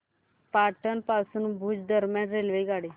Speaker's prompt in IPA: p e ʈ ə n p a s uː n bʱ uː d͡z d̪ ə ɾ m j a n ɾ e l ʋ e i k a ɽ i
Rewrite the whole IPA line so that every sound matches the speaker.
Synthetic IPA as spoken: p a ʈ ə n p a s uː n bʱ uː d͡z d̪ ə ɾ m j a n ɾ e l ʋ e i ɡ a ɽ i